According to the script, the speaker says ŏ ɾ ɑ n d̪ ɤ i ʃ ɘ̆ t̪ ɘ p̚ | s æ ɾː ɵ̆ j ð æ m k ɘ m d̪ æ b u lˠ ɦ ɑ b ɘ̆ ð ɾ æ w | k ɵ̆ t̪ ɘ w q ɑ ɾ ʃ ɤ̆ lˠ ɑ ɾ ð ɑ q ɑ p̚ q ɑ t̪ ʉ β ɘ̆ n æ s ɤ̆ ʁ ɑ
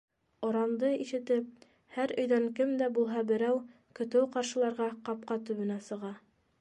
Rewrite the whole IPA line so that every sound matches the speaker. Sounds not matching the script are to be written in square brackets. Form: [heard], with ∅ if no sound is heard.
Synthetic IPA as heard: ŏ ɾ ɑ n d̪ ɤ i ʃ ɘ̆ t̪ ɘ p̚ | [h] æ [ɾ] ɵ̆ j ð æ [ŋ] k ɘ m d̪ æ b u lˠ ɦ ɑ b ɘ̆ [∅] ɾ æ w | k ɵ̆ t̪ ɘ w q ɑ ɾ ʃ ɤ̆ lˠ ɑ ɾ [ʁ] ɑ q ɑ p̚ q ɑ t̪ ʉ β ɘ̆ n æ s ɤ̆ ʁ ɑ